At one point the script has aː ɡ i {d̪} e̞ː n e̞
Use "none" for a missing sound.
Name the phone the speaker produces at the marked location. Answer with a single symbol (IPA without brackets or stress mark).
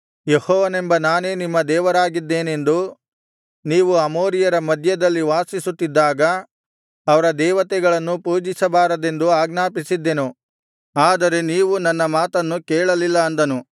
d̪ː